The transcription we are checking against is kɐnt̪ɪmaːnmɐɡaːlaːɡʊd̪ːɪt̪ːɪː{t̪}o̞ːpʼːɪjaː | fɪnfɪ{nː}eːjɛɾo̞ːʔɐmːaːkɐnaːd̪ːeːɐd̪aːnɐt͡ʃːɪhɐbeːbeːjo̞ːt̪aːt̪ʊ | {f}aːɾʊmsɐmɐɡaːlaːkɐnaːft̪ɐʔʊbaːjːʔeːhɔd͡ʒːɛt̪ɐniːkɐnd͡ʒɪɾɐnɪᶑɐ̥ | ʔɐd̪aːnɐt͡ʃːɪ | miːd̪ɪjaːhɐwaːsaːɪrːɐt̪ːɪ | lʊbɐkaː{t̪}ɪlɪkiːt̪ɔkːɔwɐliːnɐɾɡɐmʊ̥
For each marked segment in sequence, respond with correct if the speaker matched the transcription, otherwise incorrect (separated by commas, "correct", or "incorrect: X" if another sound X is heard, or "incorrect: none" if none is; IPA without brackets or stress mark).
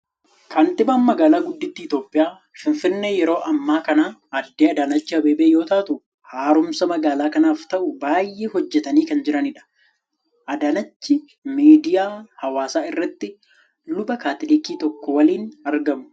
correct, correct, incorrect: h, correct